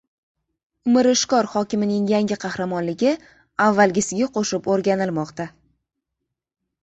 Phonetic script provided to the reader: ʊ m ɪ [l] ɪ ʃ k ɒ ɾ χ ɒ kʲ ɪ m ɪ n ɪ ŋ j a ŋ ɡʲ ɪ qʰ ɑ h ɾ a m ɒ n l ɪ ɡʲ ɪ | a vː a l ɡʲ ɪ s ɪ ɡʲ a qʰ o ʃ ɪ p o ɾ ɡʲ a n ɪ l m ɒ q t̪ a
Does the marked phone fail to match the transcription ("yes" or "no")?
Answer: yes